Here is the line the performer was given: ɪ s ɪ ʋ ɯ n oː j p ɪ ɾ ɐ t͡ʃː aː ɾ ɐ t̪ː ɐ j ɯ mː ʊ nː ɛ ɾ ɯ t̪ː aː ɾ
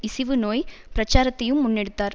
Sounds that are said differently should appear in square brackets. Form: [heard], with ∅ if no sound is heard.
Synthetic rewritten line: ɪ s ɪ ʋ ɯ n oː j p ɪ ɾ ɐ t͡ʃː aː ɾ ɐ t̪ː ɐ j ɯ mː ʊ nː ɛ [ɽ] ɯ t̪ː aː ɾ